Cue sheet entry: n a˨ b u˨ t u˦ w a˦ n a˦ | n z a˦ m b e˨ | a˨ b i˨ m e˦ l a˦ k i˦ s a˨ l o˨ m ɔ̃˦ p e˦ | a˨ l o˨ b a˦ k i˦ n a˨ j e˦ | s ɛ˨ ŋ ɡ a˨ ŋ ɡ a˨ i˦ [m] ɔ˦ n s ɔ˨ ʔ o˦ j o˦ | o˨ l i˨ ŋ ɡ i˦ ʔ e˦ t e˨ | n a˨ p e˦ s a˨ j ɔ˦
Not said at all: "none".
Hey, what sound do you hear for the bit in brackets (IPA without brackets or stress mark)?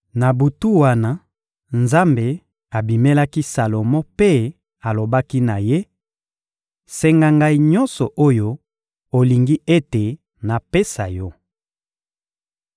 ɲ